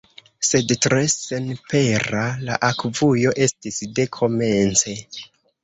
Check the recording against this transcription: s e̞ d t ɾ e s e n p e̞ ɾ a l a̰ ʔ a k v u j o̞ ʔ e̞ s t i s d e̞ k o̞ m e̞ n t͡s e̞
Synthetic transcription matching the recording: s e̞ d t ɾ e s e n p e̞ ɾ a l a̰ ʔ a k v u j o̞ ʔ e̞ s t i s d e̞ kʰ o̞ m e̞ n t͡s e̞